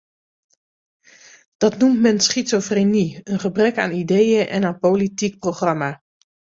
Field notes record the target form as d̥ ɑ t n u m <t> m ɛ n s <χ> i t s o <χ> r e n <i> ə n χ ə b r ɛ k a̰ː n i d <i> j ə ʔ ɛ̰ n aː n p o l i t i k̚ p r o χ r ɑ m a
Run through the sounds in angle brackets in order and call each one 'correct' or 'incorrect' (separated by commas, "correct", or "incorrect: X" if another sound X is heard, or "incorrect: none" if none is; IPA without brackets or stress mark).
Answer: correct, correct, incorrect: f, correct, incorrect: e